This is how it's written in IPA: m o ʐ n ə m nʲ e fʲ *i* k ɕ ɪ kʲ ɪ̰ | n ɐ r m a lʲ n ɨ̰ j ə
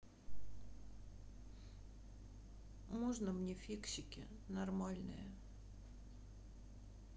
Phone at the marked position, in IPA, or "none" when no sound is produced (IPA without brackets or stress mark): i